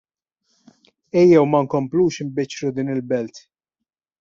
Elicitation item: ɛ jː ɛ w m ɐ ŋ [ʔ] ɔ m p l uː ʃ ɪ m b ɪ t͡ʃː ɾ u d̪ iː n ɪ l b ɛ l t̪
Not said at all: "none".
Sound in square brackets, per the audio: k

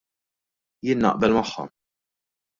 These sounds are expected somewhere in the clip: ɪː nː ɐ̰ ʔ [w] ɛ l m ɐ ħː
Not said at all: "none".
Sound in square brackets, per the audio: b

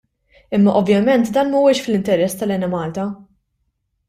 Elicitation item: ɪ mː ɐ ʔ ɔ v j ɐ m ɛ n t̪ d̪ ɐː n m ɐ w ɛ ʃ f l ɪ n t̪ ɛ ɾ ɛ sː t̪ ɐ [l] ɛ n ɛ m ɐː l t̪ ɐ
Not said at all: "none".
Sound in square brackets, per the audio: l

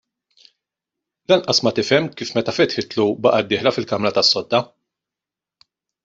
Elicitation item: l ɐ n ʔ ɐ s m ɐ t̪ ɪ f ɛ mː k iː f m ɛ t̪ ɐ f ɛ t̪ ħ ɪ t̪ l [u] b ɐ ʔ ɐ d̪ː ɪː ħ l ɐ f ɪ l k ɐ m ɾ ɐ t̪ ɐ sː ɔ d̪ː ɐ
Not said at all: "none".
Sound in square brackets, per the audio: u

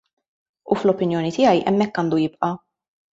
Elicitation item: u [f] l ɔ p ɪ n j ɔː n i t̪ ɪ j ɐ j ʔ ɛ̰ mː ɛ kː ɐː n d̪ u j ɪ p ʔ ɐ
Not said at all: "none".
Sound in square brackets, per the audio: f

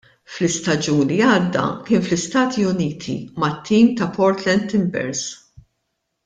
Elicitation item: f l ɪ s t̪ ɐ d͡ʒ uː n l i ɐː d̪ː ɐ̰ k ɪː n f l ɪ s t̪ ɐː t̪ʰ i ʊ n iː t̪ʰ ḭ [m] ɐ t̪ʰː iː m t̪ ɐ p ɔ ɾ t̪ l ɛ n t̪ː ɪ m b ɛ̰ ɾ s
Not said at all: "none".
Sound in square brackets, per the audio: m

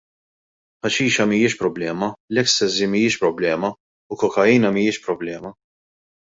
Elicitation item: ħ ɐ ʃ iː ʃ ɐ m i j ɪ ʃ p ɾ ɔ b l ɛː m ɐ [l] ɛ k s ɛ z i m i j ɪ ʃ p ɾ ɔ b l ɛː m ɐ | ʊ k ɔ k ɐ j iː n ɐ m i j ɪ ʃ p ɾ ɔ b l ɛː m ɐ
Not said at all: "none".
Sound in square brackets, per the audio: l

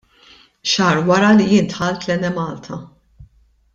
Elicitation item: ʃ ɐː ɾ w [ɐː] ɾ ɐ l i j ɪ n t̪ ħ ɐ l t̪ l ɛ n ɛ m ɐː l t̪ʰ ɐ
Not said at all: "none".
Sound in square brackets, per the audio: ɐ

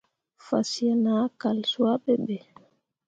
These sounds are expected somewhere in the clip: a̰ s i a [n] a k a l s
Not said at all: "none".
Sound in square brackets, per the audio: n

